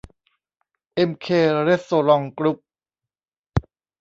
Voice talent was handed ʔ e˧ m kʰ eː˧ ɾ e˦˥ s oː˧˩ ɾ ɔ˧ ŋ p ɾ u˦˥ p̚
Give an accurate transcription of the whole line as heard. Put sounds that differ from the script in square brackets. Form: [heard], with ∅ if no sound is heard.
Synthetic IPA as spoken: ʔ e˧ m kʰ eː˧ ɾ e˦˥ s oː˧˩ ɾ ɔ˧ ŋ [k] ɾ u˦˥ p̚